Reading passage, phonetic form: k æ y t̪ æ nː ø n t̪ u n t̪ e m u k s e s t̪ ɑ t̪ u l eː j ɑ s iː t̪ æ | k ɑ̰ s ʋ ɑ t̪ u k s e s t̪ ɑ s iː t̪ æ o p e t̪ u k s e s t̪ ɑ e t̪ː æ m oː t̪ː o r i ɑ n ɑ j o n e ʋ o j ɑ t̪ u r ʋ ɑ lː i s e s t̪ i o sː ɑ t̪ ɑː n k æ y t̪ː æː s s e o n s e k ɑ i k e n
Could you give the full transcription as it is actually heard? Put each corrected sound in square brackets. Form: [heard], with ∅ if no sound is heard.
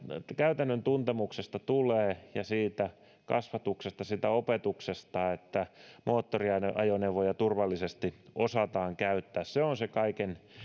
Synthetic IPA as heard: k æ y t̪ æ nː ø n t̪ u n t̪ e m u k s e s t̪ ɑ t̪ u l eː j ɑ s iː t̪ æ | k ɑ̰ s ʋ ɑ t̪ u k s e s t̪ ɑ s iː t̪ æ o p e t̪ u k s e s t̪ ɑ e t̪ː æ m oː t̪ː o r i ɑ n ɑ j o n e ʋ o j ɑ t̪ u r ʋ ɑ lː i s e s t̪ i o [s] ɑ t̪ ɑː [ŋ] k æ y t̪ː æː s s e o n s e k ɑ i k e n